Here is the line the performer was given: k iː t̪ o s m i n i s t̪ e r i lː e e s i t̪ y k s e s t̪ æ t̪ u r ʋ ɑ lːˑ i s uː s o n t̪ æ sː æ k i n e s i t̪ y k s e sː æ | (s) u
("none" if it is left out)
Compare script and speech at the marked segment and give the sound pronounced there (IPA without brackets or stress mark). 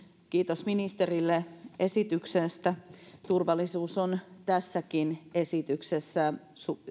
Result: s